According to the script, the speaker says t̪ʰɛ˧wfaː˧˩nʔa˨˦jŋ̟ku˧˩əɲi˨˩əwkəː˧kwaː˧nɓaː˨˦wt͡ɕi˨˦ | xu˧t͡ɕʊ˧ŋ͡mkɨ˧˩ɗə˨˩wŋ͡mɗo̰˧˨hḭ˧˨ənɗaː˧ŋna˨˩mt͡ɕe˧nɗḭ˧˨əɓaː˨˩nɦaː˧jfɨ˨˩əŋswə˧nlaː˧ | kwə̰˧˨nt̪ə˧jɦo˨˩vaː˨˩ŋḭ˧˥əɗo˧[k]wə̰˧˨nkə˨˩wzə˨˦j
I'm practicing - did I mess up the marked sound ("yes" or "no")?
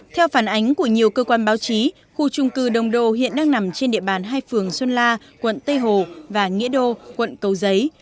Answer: no